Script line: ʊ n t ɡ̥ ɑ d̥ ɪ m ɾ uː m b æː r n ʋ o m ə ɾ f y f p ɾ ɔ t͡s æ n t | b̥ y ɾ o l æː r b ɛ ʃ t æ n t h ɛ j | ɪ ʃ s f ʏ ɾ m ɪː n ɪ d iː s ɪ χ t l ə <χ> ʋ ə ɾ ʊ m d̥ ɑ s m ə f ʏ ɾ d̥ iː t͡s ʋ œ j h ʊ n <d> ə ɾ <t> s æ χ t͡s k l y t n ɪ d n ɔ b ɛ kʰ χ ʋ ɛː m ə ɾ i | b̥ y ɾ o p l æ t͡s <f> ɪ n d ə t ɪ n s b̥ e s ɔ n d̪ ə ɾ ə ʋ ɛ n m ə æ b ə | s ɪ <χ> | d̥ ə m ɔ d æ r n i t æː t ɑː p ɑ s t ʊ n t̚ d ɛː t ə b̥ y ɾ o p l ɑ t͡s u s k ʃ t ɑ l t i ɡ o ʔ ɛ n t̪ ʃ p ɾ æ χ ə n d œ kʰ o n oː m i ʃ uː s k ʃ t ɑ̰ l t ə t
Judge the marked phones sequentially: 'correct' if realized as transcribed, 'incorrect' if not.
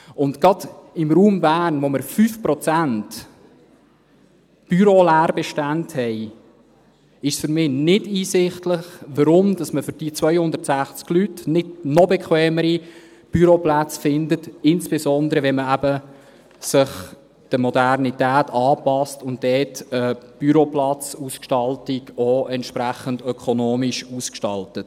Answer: correct, correct, correct, correct, correct

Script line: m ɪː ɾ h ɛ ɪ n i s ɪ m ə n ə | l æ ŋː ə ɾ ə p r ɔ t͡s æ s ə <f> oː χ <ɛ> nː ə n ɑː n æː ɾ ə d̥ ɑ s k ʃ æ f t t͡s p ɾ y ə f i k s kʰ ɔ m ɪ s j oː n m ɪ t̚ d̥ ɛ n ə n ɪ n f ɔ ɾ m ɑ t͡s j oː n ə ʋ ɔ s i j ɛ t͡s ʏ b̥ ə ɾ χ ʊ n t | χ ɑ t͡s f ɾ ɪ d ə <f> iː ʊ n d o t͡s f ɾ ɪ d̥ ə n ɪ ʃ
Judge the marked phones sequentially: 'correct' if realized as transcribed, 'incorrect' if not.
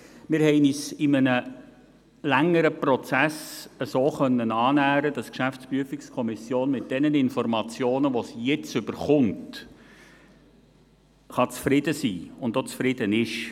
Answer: incorrect: s, incorrect: œ, incorrect: s

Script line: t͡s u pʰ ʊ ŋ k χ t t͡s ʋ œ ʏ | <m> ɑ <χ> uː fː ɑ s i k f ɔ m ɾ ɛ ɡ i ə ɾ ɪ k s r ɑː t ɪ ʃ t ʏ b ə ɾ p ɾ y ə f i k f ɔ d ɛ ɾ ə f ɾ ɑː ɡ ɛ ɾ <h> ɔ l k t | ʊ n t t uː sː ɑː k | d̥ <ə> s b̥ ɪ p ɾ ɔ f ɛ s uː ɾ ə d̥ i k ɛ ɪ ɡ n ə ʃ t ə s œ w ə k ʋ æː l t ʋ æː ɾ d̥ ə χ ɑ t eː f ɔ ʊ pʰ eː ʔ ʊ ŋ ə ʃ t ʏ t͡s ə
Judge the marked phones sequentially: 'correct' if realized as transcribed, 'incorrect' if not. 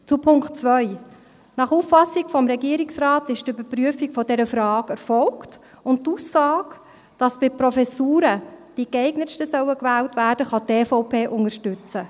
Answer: incorrect: n, correct, incorrect: f, incorrect: ɑ

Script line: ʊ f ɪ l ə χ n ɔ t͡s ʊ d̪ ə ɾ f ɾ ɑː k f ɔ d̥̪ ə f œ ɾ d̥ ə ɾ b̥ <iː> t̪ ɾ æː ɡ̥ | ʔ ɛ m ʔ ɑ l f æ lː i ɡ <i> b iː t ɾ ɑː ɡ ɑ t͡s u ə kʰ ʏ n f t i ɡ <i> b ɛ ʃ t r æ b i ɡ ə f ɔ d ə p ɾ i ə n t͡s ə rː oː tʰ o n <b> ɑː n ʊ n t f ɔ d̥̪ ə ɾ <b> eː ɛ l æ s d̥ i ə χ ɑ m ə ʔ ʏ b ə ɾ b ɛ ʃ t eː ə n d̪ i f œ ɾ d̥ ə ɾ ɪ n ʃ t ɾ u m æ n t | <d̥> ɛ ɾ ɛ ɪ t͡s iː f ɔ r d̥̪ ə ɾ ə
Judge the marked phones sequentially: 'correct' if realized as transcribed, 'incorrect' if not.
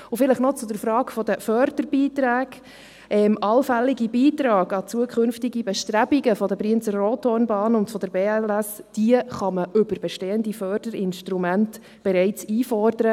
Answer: correct, correct, correct, correct, correct, incorrect: b̥

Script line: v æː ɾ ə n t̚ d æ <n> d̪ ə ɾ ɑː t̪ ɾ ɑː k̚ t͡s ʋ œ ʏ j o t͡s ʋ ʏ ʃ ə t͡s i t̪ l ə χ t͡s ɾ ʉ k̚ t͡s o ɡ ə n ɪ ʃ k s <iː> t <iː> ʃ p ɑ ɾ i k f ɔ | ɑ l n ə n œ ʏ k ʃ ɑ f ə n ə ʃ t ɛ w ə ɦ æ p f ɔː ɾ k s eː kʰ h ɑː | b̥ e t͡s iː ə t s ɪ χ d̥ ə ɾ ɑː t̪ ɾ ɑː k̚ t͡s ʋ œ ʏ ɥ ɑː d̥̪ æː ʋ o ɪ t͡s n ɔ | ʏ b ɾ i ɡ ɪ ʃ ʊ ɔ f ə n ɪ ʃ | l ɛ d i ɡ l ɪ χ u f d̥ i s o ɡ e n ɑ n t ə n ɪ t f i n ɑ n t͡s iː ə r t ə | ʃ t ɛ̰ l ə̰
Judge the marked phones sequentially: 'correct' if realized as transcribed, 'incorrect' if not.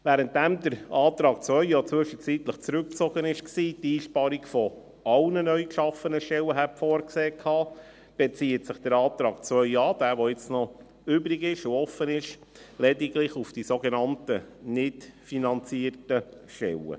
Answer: incorrect: m, correct, correct

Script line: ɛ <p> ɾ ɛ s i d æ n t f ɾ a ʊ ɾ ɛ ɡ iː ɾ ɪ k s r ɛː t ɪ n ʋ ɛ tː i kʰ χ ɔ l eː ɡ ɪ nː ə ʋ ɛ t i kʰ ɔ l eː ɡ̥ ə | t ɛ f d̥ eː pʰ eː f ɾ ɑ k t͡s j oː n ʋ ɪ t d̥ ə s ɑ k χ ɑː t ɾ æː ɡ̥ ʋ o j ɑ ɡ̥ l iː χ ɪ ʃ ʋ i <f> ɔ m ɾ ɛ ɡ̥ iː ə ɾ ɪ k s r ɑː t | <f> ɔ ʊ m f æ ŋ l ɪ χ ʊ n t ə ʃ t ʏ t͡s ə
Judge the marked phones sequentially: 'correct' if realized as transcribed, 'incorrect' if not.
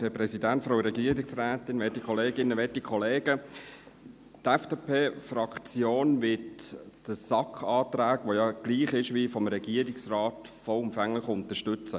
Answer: correct, correct, correct

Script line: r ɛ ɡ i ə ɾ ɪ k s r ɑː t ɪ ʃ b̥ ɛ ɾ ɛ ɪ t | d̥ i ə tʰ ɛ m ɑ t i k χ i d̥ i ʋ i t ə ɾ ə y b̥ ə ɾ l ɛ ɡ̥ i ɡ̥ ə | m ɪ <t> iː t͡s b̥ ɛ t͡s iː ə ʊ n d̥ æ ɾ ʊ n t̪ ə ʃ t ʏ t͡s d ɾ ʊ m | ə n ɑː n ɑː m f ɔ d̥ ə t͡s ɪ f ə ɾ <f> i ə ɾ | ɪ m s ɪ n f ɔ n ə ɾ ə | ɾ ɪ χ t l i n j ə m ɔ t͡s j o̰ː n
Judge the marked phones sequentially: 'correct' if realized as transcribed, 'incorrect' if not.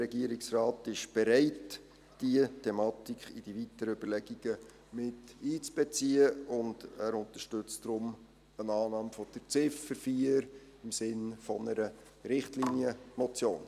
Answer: correct, correct

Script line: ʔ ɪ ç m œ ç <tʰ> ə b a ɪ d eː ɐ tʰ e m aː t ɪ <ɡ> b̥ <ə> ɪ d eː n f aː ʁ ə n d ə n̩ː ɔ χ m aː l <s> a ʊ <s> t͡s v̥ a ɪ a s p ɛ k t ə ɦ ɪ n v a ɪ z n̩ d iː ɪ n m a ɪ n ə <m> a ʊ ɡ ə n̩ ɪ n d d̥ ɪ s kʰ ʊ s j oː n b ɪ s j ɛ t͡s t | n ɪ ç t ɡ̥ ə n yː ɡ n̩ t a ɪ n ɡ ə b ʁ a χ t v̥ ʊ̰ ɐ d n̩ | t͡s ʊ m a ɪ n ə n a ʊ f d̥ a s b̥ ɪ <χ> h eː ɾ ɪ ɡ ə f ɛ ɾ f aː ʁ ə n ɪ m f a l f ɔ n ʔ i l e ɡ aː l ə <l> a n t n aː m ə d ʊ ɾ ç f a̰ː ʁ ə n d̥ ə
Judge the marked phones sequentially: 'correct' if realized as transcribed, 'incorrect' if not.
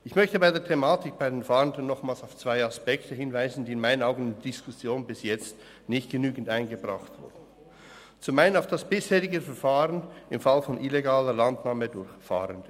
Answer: incorrect: t, incorrect: k, incorrect: a, correct, incorrect: f, incorrect: n, incorrect: s, correct

